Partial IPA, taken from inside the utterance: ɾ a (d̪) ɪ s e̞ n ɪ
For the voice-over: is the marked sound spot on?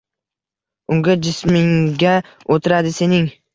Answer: yes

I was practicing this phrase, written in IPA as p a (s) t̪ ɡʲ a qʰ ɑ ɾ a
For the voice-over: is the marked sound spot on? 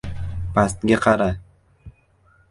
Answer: yes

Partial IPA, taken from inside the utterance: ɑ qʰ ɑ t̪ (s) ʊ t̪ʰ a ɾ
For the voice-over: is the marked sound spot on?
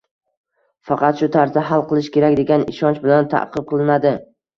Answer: no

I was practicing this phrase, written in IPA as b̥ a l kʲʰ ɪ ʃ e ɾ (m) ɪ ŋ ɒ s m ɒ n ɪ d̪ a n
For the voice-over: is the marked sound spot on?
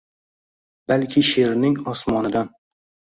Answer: no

